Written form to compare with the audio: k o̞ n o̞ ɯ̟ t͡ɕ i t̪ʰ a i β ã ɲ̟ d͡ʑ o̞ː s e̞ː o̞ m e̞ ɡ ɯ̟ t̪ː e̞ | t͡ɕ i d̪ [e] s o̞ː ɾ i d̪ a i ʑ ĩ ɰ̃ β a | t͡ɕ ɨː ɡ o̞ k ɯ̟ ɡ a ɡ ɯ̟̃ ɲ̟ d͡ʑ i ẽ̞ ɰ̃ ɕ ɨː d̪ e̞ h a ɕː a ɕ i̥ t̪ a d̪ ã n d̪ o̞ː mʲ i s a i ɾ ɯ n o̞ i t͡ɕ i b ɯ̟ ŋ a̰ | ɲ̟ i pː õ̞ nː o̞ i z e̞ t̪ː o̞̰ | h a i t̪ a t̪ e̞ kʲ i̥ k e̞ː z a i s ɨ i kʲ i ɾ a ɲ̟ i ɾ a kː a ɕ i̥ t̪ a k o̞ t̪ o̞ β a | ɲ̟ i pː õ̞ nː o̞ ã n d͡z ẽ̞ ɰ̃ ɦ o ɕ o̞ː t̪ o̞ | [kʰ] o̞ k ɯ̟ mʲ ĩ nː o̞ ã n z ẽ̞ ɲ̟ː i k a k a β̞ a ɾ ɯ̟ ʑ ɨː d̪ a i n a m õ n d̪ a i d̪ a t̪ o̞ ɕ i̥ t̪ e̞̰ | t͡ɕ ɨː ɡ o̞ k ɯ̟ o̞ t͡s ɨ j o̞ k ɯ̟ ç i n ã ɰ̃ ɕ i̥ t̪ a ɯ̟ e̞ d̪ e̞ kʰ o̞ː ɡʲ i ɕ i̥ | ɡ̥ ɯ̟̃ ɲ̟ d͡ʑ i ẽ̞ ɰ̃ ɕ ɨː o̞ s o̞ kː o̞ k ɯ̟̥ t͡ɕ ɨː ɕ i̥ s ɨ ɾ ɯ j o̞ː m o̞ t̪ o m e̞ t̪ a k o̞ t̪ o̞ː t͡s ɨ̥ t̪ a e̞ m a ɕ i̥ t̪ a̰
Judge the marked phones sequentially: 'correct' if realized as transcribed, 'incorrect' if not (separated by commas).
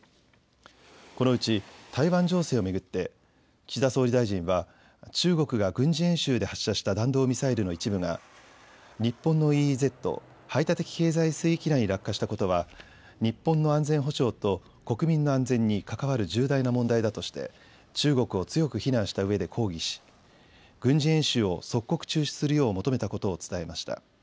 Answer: incorrect, incorrect